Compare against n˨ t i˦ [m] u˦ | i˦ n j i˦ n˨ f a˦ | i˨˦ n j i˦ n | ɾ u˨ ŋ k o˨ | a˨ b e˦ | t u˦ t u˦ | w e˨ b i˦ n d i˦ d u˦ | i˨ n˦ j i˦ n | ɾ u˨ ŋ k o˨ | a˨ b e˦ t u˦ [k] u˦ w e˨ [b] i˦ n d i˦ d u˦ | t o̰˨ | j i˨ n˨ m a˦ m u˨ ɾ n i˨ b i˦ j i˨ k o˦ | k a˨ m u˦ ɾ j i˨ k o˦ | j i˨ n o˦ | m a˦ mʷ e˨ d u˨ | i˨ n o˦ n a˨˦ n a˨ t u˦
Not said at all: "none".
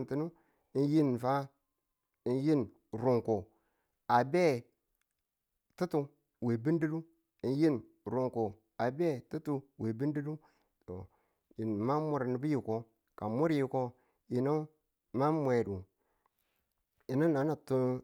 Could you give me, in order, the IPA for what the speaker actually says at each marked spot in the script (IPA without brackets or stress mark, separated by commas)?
n, t, b